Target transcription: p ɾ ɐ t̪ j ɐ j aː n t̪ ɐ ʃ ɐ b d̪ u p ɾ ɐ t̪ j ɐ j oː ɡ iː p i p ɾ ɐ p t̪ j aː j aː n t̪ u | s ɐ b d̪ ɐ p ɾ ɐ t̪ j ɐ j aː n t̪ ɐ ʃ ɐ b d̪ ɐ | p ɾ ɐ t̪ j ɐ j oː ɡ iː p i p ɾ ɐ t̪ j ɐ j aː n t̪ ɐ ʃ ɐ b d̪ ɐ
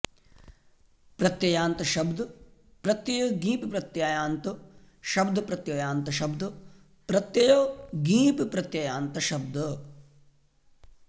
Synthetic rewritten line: p ɾ ɐ t̪ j ɐ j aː n t̪ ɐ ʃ ɐ b d̪ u p ɾ ɐ t̪ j ɐ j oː ɡ iː p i p ɾ ɐ t̪ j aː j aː n t̪ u | ʃ ɐ b d̪ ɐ p ɾ ɐ t̪ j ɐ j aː n t̪ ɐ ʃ ɐ b d̪ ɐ | p ɾ ɐ t̪ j ɐ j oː ɡ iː p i p ɾ ɐ t̪ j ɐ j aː n t̪ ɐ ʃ ɐ b d̪ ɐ